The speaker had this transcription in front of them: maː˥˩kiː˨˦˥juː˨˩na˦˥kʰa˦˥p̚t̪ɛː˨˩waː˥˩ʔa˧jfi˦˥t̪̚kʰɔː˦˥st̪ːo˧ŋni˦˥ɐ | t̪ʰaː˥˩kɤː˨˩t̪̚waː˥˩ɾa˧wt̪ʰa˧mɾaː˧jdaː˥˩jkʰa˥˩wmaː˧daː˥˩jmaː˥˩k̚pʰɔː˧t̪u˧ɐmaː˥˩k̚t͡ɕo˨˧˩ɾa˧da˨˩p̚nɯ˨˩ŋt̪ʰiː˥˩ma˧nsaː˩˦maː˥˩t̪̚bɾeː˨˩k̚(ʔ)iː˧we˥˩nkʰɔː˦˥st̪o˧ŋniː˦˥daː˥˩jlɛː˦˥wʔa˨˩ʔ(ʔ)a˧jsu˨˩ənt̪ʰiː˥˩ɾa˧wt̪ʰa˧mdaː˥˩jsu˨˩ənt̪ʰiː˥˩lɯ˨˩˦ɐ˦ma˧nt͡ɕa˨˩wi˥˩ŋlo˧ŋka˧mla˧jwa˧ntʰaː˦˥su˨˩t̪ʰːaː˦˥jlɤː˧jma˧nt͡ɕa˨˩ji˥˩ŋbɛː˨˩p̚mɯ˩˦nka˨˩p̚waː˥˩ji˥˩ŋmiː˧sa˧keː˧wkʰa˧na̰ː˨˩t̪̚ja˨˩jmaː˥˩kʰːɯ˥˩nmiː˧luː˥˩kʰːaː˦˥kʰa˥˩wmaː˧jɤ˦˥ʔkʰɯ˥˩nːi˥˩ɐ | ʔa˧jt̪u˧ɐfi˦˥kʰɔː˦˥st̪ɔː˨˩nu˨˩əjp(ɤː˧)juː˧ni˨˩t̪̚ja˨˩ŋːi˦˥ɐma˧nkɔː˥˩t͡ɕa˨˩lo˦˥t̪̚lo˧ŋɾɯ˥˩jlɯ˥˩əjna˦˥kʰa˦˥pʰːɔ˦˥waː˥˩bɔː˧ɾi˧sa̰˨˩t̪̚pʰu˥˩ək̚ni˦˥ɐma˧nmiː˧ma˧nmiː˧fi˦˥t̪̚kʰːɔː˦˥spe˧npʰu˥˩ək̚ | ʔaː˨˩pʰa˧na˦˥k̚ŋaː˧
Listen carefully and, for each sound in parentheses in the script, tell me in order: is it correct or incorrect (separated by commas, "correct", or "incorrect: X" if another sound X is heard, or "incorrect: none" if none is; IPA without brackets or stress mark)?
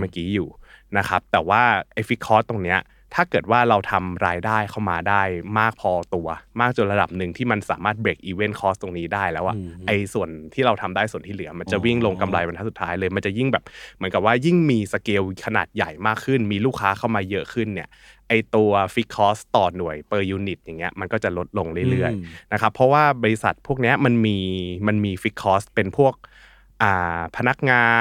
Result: correct, correct, correct